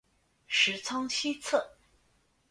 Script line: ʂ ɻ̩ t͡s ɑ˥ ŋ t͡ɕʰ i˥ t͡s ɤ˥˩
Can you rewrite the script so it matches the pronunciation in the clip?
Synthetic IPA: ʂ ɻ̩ t͡sʰ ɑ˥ ŋ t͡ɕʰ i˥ t͡sʰ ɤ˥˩

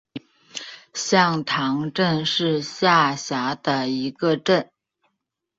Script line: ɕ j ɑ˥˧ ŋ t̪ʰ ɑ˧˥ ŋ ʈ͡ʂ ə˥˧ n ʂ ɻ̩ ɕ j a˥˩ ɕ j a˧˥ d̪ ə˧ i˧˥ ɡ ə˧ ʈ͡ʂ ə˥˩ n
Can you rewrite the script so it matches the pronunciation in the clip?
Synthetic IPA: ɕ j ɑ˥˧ ŋ t̪ʰ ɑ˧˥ ŋ ʈ͡ʂ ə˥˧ n ʂ ɻ̩ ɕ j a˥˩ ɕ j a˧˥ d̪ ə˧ i˧˥ ɡ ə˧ ʈ͡ʂ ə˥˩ n

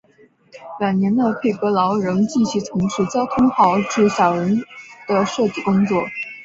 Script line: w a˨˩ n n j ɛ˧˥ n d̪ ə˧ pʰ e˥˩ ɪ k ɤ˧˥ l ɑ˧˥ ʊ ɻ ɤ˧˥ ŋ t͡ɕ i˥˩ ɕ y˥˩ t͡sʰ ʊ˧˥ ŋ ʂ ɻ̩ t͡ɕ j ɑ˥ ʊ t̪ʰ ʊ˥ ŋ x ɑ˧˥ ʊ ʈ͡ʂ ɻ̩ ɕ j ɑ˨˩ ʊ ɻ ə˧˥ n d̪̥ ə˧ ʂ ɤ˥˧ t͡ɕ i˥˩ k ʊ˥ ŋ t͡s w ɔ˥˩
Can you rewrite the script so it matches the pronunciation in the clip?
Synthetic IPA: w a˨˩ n n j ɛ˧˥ n d̪ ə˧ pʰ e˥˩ ɪ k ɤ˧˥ l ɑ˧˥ ʊ ɻ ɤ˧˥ ŋ t͡ɕ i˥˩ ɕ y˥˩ t͡sʰ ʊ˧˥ ŋ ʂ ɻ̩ t͡ɕ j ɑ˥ ʊ t̪ʰ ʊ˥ ŋ x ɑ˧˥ ʊ ʈ͡ʂ ɻ̩ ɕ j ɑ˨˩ ʊ ɻ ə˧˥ n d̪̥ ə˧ ʂ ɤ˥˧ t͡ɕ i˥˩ k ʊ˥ ŋ t͡s w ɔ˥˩

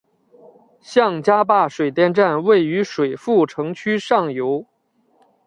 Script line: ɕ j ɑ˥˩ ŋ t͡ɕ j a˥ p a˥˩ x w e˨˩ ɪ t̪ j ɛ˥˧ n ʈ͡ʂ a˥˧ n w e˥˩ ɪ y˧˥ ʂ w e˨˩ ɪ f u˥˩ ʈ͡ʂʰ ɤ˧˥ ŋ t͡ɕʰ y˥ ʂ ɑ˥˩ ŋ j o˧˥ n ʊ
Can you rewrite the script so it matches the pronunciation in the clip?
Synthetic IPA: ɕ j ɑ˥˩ ŋ t͡ɕ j a˥ p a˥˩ ʂ w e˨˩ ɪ t̪ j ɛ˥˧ n ʈ͡ʂ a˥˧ n w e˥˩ ɪ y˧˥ ʂ w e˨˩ ɪ f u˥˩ ʈ͡ʂʰ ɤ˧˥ ŋ t͡ɕʰ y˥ ʂ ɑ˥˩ ŋ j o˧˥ ʊ

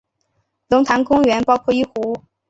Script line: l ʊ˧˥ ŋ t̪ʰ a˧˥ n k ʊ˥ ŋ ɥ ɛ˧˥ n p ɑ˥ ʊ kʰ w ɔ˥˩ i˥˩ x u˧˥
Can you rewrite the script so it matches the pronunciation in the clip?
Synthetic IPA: l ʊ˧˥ ŋ t̪ʰ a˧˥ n k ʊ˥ ŋ ɥ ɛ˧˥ n p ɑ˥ ʊ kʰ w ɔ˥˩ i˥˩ x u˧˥

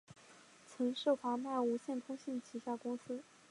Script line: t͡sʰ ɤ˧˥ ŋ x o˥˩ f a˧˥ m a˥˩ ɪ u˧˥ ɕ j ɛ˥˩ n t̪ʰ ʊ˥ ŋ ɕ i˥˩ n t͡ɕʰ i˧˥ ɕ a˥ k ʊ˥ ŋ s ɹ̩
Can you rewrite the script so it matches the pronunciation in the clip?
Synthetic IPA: t͡sʰ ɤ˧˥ ŋ ʂ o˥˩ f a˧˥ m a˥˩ ɪ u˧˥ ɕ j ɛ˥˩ n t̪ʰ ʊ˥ ŋ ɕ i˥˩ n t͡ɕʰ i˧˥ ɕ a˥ k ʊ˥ ŋ s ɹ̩

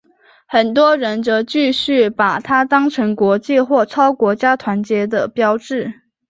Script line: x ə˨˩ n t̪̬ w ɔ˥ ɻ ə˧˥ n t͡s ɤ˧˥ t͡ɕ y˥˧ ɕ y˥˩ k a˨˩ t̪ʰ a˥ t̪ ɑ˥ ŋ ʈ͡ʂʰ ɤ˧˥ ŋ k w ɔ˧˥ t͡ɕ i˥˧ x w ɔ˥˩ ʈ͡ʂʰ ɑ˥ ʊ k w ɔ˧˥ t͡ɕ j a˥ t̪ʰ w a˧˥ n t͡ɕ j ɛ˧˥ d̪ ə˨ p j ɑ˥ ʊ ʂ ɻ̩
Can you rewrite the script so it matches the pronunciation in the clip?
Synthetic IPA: x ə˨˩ n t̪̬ w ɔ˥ ɻ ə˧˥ n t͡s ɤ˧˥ t͡ɕ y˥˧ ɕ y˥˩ p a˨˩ t̪ʰ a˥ t̪ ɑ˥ ŋ ʈ͡ʂʰ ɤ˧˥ ŋ k w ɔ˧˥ t͡ɕ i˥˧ x w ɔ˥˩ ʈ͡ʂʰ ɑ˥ ʊ k w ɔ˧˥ t͡ɕ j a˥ t̪ʰ w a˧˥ n t͡ɕ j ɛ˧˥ d̪ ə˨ p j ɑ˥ ʊ ʈ͡ʂ ɻ̩

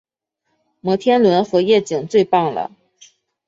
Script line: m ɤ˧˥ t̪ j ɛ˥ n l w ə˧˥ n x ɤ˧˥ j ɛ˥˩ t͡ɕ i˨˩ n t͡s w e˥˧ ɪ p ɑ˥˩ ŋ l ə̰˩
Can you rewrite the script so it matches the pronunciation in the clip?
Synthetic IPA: m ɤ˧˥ t̪ʰ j ɛ˥ n l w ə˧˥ n x ɤ˧˥ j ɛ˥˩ t͡ɕ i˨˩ ŋ t͡s w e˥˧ ɪ p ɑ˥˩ ŋ l ə̰˩

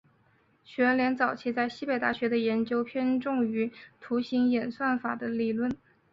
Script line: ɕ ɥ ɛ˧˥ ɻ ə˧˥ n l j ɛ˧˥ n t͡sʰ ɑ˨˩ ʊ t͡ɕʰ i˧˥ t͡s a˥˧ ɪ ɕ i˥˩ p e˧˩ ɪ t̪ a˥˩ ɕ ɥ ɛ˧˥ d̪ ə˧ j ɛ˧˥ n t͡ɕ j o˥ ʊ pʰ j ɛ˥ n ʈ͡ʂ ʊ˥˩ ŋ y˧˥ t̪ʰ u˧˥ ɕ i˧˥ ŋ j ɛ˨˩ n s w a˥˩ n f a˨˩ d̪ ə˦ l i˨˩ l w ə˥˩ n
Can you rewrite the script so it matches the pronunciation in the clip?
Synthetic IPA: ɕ ɥ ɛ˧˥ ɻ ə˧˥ n l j ɛ˧˥ n t͡s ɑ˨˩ ʊ t͡ɕʰ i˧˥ t͡s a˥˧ ɪ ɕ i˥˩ p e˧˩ ɪ t̪ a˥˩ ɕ ɥ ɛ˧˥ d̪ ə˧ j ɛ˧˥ n t͡ɕ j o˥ ʊ pʰ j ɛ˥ n ʈ͡ʂ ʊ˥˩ ŋ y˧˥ t̪ʰ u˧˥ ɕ i˧˥ ŋ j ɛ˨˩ n s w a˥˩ n f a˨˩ d̪ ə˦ l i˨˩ l w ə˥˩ n

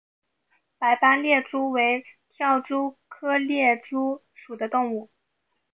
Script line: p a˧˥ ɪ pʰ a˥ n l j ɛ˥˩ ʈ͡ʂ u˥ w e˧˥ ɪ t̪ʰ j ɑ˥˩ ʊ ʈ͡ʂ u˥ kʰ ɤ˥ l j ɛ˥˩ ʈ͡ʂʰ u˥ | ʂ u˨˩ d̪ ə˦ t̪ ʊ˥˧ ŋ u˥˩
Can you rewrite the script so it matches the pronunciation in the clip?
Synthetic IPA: p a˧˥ ɪ p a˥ n l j ɛ˥˩ ʈ͡ʂ u˥ w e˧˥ ɪ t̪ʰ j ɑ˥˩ ʊ ʈ͡ʂ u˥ kʰ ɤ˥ l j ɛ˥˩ ʈ͡ʂ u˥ | ʂ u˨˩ d̪ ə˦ t̪ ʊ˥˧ ŋ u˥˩

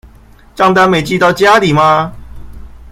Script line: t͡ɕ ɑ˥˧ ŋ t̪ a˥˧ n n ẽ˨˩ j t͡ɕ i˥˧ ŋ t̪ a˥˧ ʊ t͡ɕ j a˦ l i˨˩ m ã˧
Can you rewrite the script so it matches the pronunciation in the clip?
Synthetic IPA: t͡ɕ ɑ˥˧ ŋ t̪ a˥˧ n m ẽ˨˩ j t͡ɕ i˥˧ t̪ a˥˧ ʊ t͡ɕ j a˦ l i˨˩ m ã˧

